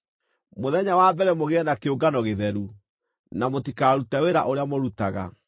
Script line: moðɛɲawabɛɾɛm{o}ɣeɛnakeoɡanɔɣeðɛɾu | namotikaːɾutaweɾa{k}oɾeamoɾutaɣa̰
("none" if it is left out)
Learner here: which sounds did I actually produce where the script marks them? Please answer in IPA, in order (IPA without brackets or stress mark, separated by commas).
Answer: o, ʔ